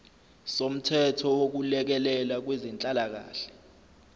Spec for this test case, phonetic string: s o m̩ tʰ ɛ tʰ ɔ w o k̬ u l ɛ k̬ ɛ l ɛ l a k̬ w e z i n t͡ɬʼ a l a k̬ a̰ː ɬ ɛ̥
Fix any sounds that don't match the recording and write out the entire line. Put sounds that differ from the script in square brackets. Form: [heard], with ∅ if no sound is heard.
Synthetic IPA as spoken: s o m̩ tʰ ɛ tʰ ɔ w o k̬ u l ɛ k̬ ɛ l ɛ l a k̬ w e z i n t͡ɬʼ a l a k̬ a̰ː ɬ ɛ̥